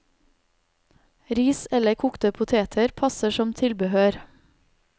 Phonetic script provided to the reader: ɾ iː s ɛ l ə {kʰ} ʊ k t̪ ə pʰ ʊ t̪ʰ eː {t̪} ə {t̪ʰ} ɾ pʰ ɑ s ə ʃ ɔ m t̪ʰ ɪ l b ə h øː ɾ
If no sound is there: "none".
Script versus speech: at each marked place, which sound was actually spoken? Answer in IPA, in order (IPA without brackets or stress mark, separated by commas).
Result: kʰ, t̪ʰ, none